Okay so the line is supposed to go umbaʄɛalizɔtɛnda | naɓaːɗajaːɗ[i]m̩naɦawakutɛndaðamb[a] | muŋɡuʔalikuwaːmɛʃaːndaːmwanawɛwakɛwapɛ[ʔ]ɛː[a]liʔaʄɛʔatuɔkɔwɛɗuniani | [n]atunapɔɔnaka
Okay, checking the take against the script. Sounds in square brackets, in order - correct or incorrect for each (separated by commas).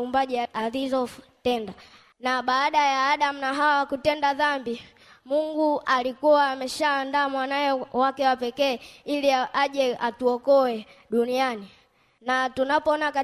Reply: incorrect, incorrect, incorrect, incorrect, correct